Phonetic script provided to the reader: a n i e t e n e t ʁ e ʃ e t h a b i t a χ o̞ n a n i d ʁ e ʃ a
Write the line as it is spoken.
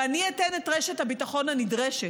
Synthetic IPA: a n i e t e n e t ʁ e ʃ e t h a b i t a χ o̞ n a n i d ʁ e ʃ e